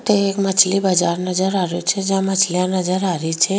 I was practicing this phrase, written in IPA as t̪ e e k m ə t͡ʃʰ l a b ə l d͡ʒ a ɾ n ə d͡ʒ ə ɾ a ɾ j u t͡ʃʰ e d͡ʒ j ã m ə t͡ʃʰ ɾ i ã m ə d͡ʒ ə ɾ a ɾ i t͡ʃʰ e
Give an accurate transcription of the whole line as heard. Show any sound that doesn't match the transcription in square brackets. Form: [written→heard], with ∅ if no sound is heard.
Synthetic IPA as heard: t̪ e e k m ə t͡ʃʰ l [a→i] b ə [l→∅] d͡ʒ a ɾ n ə d͡ʒ ə ɾ a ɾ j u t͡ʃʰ e d͡ʒ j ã m ə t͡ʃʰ [ɾ→l] i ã [m→n] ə d͡ʒ ə ɾ a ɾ i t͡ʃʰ e